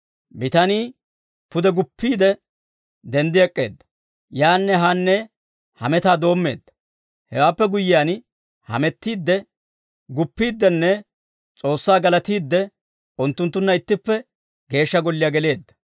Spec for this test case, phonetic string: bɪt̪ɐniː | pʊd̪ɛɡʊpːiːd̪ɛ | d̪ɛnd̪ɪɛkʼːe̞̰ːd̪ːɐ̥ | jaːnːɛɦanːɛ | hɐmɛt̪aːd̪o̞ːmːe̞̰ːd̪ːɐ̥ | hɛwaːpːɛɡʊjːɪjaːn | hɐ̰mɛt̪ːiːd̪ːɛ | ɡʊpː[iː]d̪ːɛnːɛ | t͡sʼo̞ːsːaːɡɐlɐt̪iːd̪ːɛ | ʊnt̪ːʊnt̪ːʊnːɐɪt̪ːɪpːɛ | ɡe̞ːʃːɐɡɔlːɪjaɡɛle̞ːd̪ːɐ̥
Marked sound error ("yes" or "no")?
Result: no